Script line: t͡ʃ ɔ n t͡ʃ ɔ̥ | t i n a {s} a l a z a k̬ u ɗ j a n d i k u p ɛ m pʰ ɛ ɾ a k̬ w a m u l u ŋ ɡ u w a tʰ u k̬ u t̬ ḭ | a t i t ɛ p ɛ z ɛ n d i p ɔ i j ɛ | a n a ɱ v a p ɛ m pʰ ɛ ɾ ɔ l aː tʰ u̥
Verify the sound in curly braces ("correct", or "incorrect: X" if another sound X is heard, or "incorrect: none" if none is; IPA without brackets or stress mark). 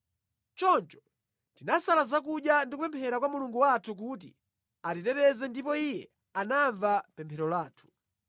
correct